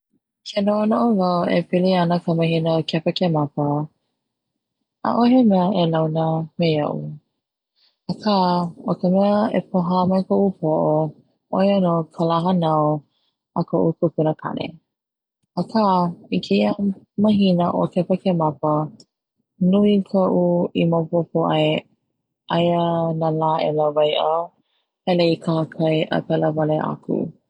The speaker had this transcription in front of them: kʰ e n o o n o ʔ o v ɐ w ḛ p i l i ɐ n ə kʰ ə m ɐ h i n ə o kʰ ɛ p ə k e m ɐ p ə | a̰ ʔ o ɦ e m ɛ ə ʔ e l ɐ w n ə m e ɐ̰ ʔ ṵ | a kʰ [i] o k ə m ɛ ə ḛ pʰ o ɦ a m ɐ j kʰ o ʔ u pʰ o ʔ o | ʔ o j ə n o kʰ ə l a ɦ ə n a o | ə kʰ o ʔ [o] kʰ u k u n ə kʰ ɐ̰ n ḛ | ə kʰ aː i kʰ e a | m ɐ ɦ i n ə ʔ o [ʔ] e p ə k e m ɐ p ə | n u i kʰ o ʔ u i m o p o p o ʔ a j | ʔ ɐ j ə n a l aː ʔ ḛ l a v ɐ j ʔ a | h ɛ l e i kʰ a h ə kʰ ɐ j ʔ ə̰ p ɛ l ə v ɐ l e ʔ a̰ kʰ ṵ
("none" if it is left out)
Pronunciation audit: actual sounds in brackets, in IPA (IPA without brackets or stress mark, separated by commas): a, u, k